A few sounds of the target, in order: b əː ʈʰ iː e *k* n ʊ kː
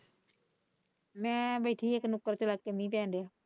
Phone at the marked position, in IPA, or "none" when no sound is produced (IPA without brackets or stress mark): k